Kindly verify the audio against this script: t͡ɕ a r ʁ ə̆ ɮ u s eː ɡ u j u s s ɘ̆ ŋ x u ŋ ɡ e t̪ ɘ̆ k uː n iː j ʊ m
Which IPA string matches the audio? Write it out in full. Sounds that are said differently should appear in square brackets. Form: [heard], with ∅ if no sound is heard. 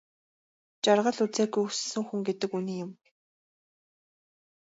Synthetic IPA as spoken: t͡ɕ a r ʁ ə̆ ɮ u [t͡s] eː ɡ u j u s s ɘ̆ ŋ x u ŋ ɡ e t̪ ɘ̆ k [u] n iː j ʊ m